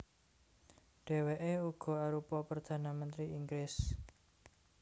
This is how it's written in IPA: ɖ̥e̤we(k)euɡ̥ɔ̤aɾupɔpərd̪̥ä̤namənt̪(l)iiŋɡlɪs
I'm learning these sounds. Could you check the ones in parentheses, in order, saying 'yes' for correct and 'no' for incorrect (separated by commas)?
no, no